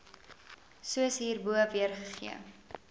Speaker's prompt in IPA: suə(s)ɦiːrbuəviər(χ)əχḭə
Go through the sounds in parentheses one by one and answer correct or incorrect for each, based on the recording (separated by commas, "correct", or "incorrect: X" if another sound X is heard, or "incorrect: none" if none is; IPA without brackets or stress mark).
correct, correct